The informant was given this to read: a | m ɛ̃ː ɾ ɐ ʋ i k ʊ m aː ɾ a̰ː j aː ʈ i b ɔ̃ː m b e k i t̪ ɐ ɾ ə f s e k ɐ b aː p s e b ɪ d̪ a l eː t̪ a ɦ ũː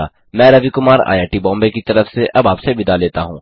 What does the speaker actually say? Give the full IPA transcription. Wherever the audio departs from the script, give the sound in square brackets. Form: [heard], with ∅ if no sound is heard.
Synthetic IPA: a | m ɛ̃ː ɾ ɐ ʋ i k ʊ m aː ɾ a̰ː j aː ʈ i b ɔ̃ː m b e k i t̪ ɐ ɾ ə f s e [ʔ] ɐ b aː p s e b ɪ d̪ a l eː t̪ a ɦ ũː

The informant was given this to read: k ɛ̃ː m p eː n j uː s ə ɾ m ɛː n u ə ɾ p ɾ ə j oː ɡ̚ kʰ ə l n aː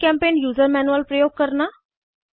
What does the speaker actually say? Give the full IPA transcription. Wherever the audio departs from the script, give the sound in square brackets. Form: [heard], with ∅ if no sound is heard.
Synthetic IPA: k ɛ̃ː m p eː n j uː [z] ə ɾ m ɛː n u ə [l] p ɾ ə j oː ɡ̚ [k] ə [ɾ] n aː

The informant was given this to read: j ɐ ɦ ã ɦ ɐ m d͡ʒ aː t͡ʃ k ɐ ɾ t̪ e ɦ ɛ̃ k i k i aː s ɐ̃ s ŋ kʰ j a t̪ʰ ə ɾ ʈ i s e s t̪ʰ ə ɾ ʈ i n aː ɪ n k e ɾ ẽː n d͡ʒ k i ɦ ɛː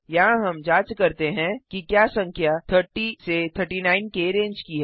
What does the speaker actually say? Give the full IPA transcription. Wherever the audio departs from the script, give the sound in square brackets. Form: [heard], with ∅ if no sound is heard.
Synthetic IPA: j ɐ ɦ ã ɦ ɐ m d͡ʒ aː t͡ʃ k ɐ ɾ t̪ e ɦ ɛ̃ k i k [j] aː s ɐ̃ [∅] ŋ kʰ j a t̪ʰ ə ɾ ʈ i s e [∅] t̪ʰ ə ɾ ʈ i n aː ɪ n k e ɾ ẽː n d͡ʒ k i ɦ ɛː

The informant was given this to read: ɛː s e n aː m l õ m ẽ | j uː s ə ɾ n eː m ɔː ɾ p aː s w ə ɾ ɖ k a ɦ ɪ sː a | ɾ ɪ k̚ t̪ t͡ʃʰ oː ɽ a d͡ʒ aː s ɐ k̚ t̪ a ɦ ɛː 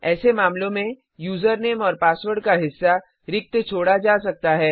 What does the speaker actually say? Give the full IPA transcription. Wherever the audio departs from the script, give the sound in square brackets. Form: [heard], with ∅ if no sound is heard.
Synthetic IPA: ɛː s e [m] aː m l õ m ẽ | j uː [z] ə ɾ n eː m ɔː ɾ p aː s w ə ɾ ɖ k a ɦ ɪ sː a | ɾ ɪ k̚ t̪ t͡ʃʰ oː ɽ a d͡ʒ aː s ɐ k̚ t̪ a ɦ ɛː

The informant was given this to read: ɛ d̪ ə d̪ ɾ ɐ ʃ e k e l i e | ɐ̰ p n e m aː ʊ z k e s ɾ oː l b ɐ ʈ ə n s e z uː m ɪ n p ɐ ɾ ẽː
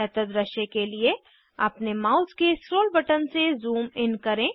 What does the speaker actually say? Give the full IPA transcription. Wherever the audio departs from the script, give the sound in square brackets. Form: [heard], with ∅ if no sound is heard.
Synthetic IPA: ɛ [t̪] ə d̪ ɾ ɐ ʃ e k e l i e | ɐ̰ p n e m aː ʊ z k e s ɾ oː l b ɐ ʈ ə n s e z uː m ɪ n [k] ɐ ɾ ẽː

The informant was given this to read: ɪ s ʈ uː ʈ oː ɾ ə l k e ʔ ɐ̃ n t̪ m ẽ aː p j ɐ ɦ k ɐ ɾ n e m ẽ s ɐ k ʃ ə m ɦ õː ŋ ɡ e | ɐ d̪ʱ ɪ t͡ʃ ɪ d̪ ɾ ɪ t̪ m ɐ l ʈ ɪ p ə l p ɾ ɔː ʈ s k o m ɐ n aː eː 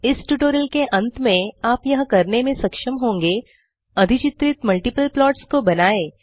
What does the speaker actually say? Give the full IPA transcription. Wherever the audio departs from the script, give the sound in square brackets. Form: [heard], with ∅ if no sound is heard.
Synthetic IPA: ɪ s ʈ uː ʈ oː ɾ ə l k e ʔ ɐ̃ n t̪ m ẽ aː p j ɐ ɦ k ɐ ɾ n e m ẽ s ɐ k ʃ ə m ɦ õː ŋ ɡ e | ɐ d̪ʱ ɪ t͡ʃ ɪ [t̪] ɾ ɪ t̪ m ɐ l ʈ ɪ p ə l p [l] ɔː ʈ s k o [b] ɐ n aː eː

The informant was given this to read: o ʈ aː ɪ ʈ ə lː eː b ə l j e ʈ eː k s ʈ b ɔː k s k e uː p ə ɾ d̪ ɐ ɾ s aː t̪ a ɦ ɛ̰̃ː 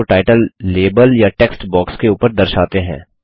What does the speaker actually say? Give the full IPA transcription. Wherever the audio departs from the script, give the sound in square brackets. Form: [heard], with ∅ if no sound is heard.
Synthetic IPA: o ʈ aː ɪ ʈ ə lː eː b ə l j [a] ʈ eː k s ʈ b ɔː k s k e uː p ə ɾ d̪ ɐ ɾ [ʃ] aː t̪ [e] ɦ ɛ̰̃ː

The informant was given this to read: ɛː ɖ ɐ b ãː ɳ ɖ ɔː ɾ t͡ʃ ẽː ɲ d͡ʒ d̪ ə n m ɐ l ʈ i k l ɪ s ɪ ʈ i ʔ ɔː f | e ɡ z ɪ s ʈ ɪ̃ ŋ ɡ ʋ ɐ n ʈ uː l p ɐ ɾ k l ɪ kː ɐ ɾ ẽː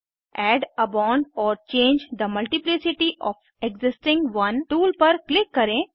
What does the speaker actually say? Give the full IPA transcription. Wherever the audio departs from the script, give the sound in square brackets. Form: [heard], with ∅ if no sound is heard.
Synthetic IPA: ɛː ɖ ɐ b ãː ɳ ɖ ɔː ɾ t͡ʃ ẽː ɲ d͡ʒ d̪ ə [∅] m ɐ l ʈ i [p] l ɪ s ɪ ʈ i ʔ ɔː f | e ɡ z ɪ s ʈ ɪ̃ ŋ ɡ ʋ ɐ n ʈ uː l p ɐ ɾ k l ɪ kː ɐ ɾ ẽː

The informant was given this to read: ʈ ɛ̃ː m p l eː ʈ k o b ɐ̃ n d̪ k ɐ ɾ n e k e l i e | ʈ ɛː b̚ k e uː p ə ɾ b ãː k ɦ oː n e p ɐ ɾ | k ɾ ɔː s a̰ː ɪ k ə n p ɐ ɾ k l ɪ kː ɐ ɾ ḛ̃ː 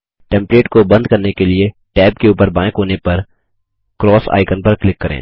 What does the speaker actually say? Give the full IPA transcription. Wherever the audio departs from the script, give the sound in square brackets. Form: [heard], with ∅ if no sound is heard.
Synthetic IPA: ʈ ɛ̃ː m p l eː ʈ k o b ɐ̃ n d̪ k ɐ ɾ n e k e l i e | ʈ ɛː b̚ k e uː p ə ɾ b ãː k ɦ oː n e p ɐ ɾ | k ɾ ɔː s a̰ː ɪ k ə n p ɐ ɾ k l ɪ kː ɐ ɾ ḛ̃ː

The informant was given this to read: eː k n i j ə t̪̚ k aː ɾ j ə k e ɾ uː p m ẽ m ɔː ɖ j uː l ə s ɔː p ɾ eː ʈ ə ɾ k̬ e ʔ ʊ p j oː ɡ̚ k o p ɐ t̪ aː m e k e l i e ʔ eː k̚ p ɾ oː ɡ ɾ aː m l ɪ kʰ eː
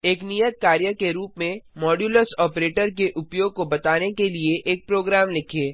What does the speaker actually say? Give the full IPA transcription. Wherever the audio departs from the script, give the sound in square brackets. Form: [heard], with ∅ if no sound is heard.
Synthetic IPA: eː k n i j ə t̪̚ k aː ɾ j ə k e ɾ uː p m ẽ m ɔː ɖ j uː l ə s ɔː p ɾ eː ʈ ə ɾ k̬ e ʔ ʊ p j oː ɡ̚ k o [b] ɐ t̪ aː [n] e k e l i e ʔ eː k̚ p ɾ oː ɡ ɾ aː m l ɪ kʰ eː

